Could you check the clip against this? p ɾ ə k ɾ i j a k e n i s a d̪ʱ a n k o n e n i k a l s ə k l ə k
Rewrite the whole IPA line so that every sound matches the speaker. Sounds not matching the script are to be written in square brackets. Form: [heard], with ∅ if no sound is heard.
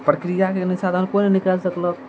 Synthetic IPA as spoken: p ɾ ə k ɾ i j a k e n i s a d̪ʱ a n k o n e n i k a l s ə k l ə k